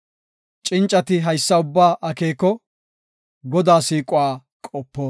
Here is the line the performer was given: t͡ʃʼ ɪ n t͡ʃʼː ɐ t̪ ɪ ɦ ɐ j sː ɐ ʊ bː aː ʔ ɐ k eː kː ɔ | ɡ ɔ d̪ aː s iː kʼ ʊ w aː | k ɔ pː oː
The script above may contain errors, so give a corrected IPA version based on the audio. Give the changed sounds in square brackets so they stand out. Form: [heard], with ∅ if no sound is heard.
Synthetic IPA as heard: t͡ʃʼ ɪ n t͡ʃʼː ɐ t̪ ɪ ɦ ɐ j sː ɐ ʊ bː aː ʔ ɐ k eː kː ɔ | ɡ ɔ d̪ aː s iː kʼ ʊ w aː | [kʼ] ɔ pː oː